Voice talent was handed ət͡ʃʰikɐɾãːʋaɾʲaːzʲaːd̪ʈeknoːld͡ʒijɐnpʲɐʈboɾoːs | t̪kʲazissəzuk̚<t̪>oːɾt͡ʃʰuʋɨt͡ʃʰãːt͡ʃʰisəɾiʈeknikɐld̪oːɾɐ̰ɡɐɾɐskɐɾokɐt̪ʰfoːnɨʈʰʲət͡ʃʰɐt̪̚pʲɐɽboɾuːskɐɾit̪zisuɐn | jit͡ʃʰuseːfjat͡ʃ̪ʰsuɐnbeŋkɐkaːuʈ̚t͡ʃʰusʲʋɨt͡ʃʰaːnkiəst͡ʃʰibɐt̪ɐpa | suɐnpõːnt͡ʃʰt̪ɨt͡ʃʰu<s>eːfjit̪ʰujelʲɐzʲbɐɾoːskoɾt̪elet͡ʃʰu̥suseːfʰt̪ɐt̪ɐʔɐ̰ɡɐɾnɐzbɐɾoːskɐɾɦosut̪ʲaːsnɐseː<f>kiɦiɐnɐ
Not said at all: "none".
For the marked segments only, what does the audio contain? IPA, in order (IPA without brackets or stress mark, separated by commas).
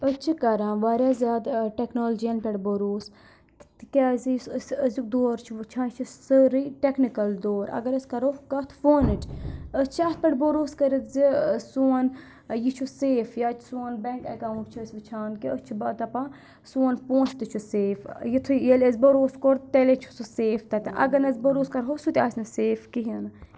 d̪, s, f